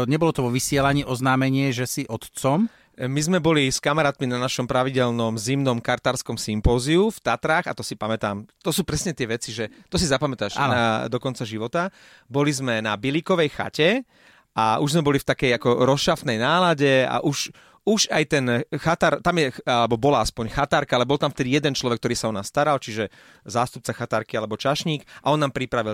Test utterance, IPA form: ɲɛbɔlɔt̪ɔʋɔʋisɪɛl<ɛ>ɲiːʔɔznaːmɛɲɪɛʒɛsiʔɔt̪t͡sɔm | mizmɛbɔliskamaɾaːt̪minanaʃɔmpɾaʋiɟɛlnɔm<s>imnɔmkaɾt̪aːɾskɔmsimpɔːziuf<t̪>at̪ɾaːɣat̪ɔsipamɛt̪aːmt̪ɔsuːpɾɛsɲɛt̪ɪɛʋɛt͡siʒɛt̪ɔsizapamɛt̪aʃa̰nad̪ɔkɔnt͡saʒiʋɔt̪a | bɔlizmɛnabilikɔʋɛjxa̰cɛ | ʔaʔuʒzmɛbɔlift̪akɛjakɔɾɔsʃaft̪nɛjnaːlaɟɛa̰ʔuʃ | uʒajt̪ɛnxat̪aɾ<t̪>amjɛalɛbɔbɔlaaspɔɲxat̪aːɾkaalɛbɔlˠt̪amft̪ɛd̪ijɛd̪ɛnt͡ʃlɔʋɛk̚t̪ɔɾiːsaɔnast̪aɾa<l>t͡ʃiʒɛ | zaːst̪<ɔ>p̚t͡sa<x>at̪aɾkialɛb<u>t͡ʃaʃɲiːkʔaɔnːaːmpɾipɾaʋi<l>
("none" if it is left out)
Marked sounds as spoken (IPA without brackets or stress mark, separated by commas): a, z, t̪, t̪, l, u, x, ɔ, l